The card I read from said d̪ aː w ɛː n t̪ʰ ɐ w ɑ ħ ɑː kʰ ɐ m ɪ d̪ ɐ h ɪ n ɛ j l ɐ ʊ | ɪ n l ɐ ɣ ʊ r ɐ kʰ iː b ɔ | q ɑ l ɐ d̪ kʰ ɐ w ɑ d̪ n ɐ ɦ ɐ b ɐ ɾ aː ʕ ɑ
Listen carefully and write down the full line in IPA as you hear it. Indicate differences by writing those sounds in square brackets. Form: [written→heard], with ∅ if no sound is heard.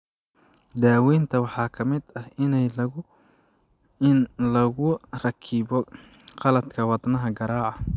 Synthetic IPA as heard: d̪ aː w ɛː n t̪ʰ ɐ w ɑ ħ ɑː kʰ ɐ m ɪ d̪ ɐ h ɪ n ɛ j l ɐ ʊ | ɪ n l ɐ ɣ ʊ r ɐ kʰ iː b ɔ | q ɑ l ɐ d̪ kʰ ɐ w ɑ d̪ n ɐ ɦ ɐ [b→ɡ] ɐ ɾ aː ʕ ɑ

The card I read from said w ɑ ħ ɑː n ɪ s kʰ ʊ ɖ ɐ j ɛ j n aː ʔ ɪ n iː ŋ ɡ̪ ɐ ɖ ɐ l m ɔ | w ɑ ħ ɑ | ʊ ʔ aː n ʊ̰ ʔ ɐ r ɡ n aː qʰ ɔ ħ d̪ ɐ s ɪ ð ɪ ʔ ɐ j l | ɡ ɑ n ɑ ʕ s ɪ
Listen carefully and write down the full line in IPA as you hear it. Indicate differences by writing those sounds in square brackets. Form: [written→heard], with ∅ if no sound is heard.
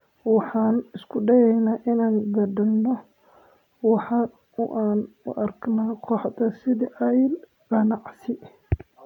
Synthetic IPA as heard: w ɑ ħ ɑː n ɪ s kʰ ʊ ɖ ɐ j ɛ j n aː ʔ ɪ n [iː→aː] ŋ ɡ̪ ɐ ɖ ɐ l [m→n] ɔ | w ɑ ħ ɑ | ʊ ʔ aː n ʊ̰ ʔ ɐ r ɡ n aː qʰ ɔ ħ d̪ ɐ s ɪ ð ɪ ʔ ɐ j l | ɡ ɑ n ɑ ʕ s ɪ

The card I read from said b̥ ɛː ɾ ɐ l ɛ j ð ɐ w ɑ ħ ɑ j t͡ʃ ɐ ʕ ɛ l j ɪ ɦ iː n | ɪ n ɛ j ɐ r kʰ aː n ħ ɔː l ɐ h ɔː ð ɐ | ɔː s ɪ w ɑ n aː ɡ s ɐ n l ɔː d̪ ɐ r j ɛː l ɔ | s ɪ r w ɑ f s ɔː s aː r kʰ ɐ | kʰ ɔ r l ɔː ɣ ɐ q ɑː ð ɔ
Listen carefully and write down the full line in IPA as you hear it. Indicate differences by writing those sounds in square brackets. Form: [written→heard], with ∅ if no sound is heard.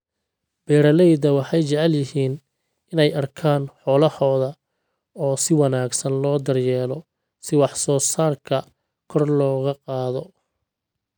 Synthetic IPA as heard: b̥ ɛː ɾ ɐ l ɛ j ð ɐ w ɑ ħ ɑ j t͡ʃ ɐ ʕ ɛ l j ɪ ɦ iː n | ɪ n ɛ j ɐ r kʰ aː n ħ ɔː l ɐ h ɔː ð ɐ | ɔː s ɪ w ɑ n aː ɡ s ɐ n l ɔː d̪ ɐ r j ɛː l ɔ | s ɪ [r→∅] w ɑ [f→ħ] s ɔː s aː r kʰ ɐ | kʰ ɔ r l ɔː ɣ ɐ q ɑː ð ɔ

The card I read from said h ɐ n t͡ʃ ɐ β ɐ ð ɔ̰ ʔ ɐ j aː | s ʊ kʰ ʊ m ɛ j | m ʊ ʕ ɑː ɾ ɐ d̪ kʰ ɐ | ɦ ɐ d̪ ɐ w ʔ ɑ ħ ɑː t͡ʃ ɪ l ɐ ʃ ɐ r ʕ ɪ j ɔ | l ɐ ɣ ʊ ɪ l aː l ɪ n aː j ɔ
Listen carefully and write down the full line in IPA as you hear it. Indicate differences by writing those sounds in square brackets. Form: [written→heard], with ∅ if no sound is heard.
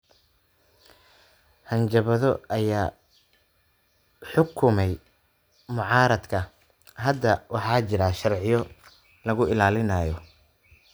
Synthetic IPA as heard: h ɐ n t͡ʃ ɐ β ɐ ð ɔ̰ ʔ ɐ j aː | [s→ħ] ʊ kʰ ʊ m ɛ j | m ʊ ʕ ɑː ɾ ɐ d̪ kʰ ɐ | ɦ ɐ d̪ ɐ w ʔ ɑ ħ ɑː t͡ʃ ɪ [l→ɾ] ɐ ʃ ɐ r ʕ ɪ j ɔ | l ɐ ɣ ʊ ɪ l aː l ɪ n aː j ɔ

